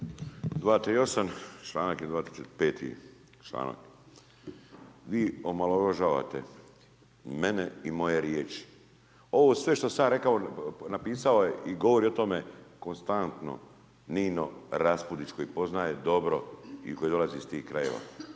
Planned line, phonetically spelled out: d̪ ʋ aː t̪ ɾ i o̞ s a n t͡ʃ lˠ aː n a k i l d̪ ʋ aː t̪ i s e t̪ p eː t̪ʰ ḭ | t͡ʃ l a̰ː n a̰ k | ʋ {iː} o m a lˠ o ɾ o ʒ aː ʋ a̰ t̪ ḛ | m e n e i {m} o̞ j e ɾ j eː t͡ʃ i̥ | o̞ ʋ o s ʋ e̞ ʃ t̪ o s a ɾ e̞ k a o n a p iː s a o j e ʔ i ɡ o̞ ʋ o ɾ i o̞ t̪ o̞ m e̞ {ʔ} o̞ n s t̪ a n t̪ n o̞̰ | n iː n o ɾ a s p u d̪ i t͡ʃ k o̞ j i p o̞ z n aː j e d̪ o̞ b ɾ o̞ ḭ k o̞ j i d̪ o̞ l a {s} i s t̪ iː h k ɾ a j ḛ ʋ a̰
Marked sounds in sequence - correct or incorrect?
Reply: correct, correct, incorrect, incorrect

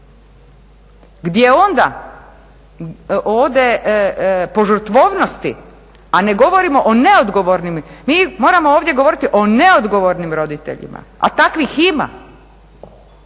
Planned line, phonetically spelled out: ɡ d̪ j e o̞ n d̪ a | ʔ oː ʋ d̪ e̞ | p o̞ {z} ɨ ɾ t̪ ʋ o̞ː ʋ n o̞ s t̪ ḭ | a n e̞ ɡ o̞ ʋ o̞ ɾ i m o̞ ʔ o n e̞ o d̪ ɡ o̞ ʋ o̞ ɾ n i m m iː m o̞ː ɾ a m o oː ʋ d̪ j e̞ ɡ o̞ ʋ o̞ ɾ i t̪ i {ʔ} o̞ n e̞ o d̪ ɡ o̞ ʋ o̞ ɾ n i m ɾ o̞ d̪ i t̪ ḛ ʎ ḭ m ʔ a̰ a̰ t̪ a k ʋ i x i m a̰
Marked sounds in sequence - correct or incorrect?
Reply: incorrect, correct

